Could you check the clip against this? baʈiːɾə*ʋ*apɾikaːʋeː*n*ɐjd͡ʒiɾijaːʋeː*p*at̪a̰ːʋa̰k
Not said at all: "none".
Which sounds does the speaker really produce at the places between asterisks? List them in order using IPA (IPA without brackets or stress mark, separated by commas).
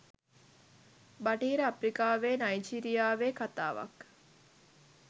none, n, k